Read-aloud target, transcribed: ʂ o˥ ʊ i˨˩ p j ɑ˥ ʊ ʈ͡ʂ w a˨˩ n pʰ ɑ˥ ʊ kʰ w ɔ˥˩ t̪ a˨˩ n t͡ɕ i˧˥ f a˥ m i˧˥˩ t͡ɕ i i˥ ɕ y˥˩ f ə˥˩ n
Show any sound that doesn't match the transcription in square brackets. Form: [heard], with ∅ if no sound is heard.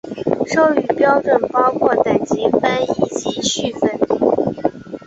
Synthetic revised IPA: ʂ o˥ ʊ [y˨˩] p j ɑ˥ ʊ ʈ͡ʂ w [ə˨˩] n [p] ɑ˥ ʊ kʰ w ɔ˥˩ t̪ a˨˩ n t͡ɕ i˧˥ f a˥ [n] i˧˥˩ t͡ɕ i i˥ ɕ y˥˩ f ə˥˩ n

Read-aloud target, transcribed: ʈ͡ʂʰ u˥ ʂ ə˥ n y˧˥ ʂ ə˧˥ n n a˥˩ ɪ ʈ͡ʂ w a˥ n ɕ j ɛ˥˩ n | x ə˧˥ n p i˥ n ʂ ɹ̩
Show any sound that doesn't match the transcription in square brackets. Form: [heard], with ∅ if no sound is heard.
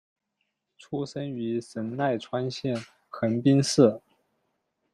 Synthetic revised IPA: ʈ͡ʂʰ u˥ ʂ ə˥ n y˧˥ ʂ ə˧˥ n n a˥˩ ɪ [ʈ͡ʂʰ] w a˥ n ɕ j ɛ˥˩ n | x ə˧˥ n p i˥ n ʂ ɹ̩

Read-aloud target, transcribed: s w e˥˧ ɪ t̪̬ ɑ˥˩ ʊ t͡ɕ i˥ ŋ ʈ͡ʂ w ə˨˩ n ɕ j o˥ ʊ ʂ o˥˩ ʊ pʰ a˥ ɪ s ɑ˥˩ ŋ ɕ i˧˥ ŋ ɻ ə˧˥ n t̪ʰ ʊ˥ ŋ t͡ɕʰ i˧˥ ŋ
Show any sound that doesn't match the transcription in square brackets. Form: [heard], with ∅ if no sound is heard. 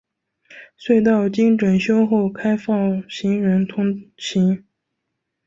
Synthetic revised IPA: s w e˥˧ ɪ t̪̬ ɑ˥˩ ʊ t͡ɕ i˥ ŋ ʈ͡ʂ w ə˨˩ n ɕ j o˥ ʊ [x] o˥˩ ʊ [kʰ] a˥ ɪ [f] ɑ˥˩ ŋ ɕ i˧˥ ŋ ɻ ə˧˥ n t̪ʰ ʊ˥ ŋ t͡ɕʰ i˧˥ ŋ

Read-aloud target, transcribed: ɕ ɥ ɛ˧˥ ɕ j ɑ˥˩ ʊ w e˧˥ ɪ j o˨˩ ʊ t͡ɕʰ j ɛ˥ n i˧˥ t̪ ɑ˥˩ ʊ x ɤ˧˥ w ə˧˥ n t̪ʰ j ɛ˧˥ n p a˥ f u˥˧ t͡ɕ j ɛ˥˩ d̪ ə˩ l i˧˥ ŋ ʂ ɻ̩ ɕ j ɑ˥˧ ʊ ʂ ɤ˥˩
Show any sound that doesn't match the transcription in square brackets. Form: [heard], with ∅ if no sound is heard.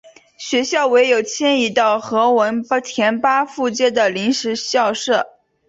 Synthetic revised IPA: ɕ ɥ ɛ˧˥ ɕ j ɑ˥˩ ʊ w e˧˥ ɪ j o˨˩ ʊ t͡ɕʰ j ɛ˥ n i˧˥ t̪ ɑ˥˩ ʊ x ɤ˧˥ w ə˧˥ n t̪ʰ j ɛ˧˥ n p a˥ f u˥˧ t͡ɕ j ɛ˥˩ d̪ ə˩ l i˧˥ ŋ ʂ ɻ̩ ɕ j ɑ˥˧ ʊ ʂ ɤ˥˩

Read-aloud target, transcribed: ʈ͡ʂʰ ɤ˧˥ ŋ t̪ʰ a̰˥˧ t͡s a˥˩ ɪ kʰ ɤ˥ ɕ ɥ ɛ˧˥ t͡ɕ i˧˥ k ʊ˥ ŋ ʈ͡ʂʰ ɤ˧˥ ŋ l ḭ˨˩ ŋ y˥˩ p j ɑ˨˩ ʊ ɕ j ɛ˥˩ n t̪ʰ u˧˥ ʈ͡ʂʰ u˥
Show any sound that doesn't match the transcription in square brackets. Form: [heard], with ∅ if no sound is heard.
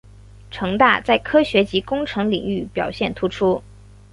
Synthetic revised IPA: ʈ͡ʂʰ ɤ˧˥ ŋ [t̪] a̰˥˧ t͡s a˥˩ ɪ kʰ ɤ˥ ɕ ɥ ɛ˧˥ t͡ɕ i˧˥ k ʊ˥ ŋ ʈ͡ʂʰ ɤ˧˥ ŋ l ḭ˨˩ ŋ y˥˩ p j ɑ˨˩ ʊ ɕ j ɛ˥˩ n t̪ʰ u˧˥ ʈ͡ʂʰ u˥

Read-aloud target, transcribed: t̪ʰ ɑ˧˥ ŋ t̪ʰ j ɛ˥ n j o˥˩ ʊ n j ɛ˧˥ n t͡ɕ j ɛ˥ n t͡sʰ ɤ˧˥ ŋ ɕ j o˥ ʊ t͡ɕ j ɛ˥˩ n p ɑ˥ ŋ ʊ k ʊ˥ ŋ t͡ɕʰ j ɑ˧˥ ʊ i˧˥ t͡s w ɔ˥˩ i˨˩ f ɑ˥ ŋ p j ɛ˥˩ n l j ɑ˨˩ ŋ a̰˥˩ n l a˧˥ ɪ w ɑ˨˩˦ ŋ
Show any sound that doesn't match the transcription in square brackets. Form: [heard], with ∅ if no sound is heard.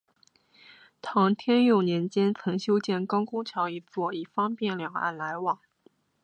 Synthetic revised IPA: t̪ʰ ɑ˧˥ ŋ t̪ʰ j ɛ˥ n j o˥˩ ʊ n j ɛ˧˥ n t͡ɕ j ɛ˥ n t͡sʰ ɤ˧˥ ŋ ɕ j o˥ ʊ t͡ɕ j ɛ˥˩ n [k] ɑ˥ [∅] ʊ k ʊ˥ ŋ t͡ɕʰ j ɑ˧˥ ʊ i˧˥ t͡s w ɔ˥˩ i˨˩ f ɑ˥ ŋ p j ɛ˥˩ n l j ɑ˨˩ ŋ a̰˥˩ n l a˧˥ ɪ w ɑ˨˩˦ ŋ

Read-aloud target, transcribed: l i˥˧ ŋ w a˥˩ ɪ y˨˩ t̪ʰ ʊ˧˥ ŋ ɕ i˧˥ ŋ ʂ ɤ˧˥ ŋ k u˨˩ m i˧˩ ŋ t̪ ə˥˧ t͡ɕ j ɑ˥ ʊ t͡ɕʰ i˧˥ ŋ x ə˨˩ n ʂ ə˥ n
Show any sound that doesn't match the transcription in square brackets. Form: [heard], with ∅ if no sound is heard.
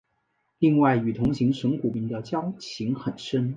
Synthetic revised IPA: l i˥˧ ŋ w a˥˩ ɪ y˨˩ t̪ʰ ʊ˧˥ ŋ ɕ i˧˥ ŋ ʂ ɤ˧˥ ŋ k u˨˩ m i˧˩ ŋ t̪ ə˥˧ t͡ɕ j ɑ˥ ʊ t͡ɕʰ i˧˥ ŋ x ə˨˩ n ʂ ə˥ n

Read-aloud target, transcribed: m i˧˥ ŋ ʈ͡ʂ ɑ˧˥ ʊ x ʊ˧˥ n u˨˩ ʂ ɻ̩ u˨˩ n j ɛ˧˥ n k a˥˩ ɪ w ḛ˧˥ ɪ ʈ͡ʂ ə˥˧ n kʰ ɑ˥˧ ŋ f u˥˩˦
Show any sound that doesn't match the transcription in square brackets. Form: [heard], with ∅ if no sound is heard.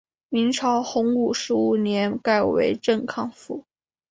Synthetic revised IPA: m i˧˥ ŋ [ʈ͡ʂʰ] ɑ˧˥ ʊ x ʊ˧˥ [ŋ] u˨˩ ʂ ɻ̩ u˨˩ n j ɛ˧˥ n k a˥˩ ɪ w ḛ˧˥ ɪ ʈ͡ʂ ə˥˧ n kʰ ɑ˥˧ ŋ f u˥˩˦

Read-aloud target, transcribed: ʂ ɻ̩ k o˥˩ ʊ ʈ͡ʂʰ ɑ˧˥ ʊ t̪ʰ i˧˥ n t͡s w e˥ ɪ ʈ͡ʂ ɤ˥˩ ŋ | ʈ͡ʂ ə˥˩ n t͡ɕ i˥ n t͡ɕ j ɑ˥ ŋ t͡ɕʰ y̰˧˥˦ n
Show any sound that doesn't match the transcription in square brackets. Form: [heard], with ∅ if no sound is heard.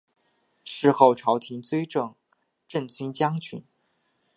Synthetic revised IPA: ʂ ɻ̩ [x] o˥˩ ʊ ʈ͡ʂʰ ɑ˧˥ ʊ t̪ʰ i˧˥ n t͡s w e˥ ɪ ʈ͡ʂ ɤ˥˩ ŋ | ʈ͡ʂ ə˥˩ n t͡ɕ [y˥] n t͡ɕ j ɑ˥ ŋ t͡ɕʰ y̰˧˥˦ n

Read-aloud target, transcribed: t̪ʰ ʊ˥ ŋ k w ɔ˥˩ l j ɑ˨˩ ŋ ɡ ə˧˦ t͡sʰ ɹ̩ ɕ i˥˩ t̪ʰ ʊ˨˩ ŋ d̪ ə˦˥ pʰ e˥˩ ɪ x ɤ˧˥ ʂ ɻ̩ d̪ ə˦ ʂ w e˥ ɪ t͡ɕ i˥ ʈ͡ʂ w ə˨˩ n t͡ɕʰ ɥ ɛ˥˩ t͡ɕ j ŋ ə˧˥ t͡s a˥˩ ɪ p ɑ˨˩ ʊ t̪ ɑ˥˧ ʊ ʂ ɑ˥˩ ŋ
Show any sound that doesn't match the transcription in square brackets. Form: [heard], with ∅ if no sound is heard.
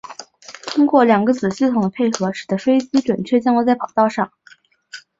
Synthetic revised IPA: t̪ʰ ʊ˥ ŋ k w ɔ˥˩ l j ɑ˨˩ ŋ ɡ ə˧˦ [t͡s] ɹ̩ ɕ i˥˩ t̪ʰ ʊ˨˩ ŋ d̪ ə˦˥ pʰ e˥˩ ɪ x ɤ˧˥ ʂ ɻ̩ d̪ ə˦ ʂ w e˥ ɪ t͡ɕ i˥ ʈ͡ʂ w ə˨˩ n t͡ɕʰ ɥ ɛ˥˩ t͡ɕ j ŋ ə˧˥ t͡s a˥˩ ɪ p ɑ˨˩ ʊ t̪ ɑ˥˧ ʊ ʂ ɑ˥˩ ŋ

